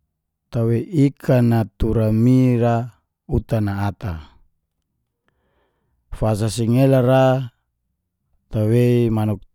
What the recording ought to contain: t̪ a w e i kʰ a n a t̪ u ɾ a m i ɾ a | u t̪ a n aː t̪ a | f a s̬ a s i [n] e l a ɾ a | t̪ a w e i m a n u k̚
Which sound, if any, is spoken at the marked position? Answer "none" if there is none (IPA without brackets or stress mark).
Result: ŋ